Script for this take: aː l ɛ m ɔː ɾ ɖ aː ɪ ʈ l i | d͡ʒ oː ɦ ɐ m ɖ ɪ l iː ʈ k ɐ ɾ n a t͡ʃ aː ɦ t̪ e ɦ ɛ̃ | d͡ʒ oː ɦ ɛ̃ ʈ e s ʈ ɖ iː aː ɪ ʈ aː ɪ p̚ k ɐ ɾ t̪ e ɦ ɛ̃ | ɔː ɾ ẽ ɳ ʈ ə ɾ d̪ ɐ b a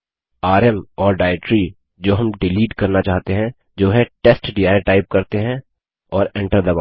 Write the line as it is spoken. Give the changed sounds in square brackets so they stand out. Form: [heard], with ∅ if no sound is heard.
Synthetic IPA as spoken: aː [ɾ] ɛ m ɔː ɾ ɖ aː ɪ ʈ [ɾ] i | d͡ʒ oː ɦ ɐ m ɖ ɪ l iː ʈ k ɐ ɾ n a t͡ʃ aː ɦ t̪ e ɦ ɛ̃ | d͡ʒ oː ɦ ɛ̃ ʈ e s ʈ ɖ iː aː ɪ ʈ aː ɪ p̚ k ɐ ɾ t̪ e ɦ ɛ̃ | ɔː ɾ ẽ ɳ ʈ ə ɾ d̪ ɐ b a